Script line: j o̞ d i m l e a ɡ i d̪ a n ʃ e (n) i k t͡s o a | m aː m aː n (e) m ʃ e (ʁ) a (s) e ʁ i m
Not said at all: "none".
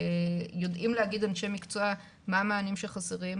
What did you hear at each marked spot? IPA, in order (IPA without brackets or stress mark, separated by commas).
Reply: m, i, χ, s